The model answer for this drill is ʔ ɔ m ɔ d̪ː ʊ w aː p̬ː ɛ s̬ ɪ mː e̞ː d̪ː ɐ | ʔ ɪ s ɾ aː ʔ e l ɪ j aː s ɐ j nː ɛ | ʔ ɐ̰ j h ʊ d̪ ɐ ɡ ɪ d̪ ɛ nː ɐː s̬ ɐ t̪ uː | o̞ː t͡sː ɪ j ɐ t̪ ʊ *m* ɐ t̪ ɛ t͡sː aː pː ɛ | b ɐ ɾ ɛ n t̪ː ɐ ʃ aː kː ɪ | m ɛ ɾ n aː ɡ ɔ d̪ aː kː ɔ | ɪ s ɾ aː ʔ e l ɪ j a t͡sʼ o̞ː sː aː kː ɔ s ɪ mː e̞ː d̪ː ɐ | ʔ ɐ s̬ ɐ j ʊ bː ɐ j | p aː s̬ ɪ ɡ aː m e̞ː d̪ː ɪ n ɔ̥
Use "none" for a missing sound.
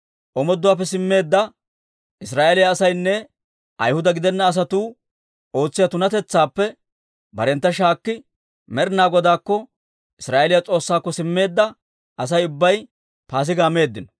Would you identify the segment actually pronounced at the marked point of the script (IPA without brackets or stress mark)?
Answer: n